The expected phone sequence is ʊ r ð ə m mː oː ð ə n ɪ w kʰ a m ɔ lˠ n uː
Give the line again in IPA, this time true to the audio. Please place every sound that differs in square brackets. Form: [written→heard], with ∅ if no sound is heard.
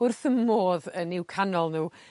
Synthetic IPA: ʊ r [ð→θ] ə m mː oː ð ə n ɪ w kʰ a [m→n] ɔ lˠ n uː